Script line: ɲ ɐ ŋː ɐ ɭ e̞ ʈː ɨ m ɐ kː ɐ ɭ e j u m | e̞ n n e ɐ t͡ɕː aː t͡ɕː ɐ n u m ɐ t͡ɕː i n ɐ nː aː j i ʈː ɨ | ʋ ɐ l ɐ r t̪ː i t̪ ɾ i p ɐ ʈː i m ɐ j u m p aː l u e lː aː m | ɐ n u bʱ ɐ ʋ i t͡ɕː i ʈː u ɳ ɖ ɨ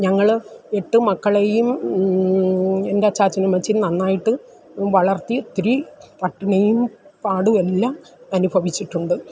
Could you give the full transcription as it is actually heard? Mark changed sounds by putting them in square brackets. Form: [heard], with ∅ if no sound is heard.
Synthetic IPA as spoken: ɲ ɐ ŋː ɐ ɭ e̞ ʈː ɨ m ɐ kː ɐ ɭ e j u m | e̞ n [d] e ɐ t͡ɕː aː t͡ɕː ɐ n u m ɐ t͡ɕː i n ɐ nː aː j i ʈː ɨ | ʋ ɐ [ɭ] ɐ r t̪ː i t̪ ɾ i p ɐ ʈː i [n] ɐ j u m p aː [ɽ] u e lː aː m | ɐ n u bʱ ɐ ʋ i t͡ɕː i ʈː u ɳ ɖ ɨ